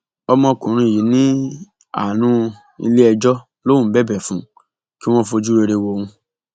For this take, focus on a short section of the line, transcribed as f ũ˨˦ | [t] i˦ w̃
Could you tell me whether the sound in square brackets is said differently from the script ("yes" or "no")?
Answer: yes